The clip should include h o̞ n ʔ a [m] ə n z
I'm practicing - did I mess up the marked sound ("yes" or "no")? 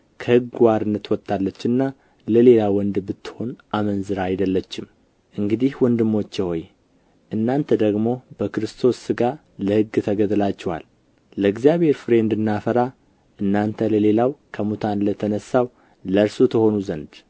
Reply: no